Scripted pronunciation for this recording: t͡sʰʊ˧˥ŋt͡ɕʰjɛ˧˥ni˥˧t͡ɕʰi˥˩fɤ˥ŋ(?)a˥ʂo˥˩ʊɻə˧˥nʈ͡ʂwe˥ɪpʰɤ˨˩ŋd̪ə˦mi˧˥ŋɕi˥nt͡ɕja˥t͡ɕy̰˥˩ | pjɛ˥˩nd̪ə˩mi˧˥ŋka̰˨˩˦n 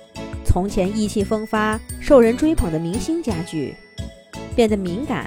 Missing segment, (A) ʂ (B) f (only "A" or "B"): B